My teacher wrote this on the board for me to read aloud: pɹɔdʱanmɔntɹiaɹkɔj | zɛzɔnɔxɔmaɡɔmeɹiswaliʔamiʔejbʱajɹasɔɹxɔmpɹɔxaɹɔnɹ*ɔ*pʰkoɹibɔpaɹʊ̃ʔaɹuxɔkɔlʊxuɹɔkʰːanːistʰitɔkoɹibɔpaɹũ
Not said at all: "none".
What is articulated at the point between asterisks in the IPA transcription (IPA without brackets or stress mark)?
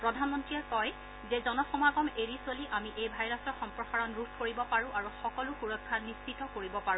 u